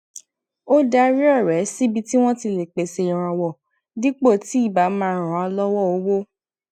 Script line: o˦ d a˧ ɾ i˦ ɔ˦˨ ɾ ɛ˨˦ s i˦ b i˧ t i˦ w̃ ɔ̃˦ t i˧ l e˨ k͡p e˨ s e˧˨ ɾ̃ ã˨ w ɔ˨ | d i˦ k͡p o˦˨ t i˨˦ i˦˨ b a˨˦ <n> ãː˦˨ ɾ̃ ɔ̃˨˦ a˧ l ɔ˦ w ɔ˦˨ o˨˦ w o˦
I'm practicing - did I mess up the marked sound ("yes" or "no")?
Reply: yes